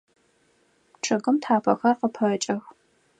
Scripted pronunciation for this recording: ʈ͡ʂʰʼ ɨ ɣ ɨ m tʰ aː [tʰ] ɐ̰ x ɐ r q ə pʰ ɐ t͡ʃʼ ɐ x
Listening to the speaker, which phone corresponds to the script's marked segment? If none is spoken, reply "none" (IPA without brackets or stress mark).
pʰ